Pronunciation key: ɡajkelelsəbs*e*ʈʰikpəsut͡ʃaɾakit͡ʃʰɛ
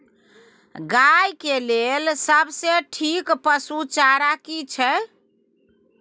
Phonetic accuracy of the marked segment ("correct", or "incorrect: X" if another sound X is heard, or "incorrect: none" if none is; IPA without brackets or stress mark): correct